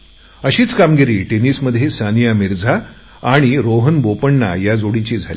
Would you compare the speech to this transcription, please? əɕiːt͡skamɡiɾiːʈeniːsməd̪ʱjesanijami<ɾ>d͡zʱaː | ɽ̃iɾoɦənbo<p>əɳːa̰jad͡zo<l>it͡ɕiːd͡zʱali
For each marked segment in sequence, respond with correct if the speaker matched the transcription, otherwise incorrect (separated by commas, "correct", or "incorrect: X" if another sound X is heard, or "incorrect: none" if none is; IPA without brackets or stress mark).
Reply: correct, correct, incorrect: ɽ